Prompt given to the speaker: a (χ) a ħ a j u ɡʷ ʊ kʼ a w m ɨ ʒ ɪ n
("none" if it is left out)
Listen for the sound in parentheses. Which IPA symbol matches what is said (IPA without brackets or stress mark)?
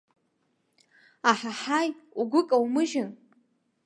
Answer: ħ